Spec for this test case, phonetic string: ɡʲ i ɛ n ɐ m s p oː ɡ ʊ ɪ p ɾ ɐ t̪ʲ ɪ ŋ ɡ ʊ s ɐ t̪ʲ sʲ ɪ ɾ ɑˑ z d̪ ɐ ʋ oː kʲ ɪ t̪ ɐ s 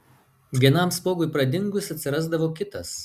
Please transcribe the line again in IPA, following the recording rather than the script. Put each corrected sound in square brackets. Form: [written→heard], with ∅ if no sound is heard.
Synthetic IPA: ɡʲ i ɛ n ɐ m s p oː ɡ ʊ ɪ p ɾ ɐ [t̪ʲ→d̪ʲ] ɪ ŋ ɡ ʊ s ɐ t̪ʲ sʲ ɪ ɾ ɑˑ z d̪ ɐ ʋ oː kʲ ɪ t̪ ɐ s